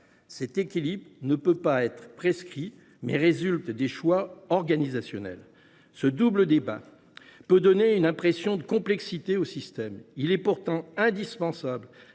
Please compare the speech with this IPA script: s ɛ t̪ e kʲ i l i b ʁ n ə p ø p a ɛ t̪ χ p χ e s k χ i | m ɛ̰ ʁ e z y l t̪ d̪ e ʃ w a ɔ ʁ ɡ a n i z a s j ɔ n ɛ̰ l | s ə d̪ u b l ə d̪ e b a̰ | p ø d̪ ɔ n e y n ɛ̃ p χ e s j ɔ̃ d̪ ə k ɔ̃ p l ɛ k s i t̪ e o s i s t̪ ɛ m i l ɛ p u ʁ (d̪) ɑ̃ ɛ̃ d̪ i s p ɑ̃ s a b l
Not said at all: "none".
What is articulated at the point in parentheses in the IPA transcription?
t̪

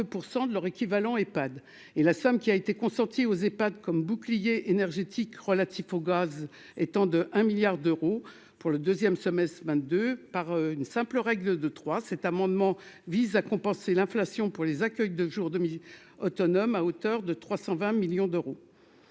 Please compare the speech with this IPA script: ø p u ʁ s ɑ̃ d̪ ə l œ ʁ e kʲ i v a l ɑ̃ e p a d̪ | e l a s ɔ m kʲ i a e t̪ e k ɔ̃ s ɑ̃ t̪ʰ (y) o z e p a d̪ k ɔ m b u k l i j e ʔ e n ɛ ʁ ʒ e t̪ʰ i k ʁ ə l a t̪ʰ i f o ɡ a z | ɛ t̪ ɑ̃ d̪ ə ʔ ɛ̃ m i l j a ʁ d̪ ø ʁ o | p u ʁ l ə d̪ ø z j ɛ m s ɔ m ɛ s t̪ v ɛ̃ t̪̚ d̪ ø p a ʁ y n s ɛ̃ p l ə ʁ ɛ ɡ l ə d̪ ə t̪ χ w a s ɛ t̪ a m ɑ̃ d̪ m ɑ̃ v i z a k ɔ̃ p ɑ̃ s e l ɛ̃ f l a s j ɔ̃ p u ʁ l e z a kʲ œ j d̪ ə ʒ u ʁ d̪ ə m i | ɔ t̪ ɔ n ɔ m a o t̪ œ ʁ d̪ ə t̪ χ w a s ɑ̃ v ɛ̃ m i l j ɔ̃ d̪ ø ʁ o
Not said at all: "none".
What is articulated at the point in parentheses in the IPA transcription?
i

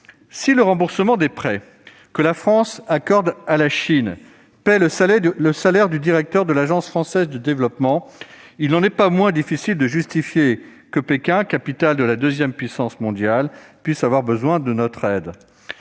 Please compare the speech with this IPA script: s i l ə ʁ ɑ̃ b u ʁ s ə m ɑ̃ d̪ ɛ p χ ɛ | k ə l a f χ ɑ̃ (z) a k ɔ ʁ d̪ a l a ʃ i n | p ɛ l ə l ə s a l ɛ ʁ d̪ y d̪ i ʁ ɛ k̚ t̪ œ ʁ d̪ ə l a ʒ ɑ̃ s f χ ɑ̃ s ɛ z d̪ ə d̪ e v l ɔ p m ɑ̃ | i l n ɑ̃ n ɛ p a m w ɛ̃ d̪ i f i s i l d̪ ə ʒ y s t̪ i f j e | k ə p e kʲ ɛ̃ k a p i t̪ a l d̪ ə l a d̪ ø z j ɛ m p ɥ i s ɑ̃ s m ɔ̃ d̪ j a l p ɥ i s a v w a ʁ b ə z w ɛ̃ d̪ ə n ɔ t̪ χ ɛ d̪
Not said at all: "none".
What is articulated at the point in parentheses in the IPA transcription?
s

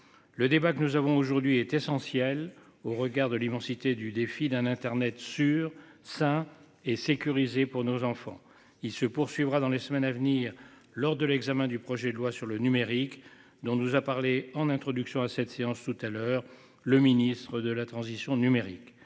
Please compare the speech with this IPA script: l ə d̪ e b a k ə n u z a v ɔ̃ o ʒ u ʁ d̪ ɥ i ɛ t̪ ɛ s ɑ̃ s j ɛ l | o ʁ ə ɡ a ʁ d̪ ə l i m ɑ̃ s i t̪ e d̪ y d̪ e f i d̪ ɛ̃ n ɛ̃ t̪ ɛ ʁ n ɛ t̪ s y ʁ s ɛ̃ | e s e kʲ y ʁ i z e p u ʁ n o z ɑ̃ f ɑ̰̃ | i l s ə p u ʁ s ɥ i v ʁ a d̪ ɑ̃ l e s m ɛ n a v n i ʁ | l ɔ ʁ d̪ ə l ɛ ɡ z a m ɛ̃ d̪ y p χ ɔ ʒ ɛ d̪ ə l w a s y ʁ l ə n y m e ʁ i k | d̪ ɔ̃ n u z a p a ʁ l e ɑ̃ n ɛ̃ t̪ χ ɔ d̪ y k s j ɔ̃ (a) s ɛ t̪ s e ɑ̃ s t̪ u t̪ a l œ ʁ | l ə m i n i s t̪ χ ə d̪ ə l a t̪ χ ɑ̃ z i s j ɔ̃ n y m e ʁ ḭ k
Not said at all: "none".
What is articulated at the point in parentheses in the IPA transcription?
a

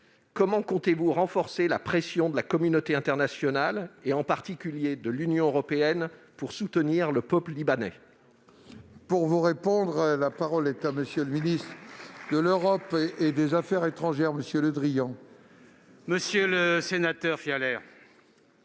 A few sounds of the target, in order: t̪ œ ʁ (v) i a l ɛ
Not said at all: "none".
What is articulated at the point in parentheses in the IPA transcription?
f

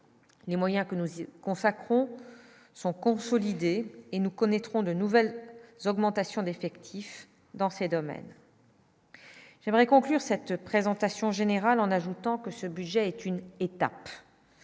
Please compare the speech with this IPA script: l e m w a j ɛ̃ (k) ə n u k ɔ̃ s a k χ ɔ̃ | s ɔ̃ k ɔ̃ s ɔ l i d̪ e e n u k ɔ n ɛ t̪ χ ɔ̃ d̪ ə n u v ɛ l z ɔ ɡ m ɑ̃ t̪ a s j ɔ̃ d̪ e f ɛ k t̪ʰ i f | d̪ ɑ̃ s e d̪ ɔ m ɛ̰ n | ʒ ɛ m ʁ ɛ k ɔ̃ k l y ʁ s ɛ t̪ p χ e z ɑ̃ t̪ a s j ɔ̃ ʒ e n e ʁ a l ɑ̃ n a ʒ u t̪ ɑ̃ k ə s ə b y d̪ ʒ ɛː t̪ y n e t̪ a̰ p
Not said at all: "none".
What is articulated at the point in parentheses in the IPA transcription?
k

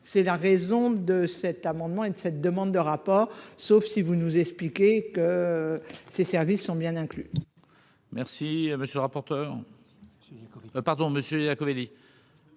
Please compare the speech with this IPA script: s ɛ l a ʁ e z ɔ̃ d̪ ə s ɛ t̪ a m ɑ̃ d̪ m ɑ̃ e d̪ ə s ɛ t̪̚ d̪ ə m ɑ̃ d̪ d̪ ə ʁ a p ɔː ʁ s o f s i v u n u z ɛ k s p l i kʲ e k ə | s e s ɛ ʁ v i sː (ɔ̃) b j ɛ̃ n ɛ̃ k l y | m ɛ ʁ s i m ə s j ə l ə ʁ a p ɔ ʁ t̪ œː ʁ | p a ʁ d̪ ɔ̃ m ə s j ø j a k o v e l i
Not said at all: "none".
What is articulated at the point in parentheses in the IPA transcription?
ɔ̃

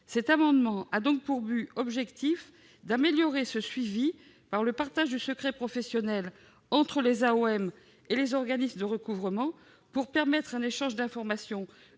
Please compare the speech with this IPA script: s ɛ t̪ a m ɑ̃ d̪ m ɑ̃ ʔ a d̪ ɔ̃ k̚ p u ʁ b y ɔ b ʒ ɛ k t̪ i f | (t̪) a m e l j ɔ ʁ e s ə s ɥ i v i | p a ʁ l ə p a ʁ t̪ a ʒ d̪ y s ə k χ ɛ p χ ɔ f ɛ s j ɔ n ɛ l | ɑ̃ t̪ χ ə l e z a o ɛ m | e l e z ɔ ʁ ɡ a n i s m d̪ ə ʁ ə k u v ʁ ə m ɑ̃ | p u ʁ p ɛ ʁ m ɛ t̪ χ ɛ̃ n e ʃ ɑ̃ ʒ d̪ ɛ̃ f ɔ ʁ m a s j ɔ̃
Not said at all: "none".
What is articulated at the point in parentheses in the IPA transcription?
d̪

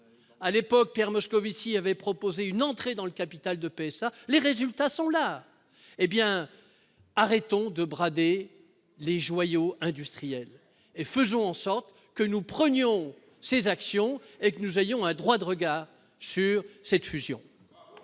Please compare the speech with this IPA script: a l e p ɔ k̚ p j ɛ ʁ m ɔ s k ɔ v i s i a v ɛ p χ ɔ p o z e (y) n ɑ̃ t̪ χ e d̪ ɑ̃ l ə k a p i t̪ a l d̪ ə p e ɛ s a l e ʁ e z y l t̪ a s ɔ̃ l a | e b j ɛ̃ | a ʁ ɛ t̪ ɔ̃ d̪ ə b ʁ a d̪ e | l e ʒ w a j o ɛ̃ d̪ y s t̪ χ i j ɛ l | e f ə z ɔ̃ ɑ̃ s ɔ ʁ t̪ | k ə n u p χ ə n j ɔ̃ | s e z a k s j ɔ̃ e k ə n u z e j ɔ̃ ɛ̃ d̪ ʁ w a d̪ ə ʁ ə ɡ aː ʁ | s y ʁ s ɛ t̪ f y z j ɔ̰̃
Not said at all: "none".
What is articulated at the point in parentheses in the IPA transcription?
y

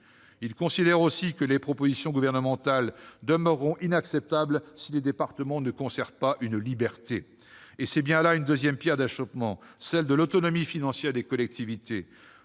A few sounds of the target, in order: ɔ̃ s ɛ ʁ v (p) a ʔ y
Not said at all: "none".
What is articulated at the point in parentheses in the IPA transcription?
p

